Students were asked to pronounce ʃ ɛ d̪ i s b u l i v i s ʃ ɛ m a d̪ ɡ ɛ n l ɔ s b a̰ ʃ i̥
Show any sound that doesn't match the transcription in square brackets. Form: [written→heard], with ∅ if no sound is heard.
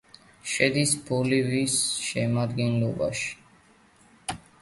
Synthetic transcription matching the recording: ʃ ɛ d̪ i s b u l i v i s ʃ ɛ m a d̪ ɡ ɛ n l ɔ [s→∅] b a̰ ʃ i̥